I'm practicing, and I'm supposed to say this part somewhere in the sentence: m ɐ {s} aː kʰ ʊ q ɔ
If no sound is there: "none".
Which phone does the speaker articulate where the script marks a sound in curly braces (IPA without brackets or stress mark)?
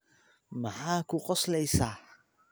ħ